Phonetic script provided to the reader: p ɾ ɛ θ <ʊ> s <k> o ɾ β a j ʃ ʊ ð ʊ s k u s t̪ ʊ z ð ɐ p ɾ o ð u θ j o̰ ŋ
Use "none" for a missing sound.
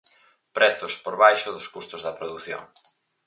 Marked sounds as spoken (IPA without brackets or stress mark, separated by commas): ʊ, p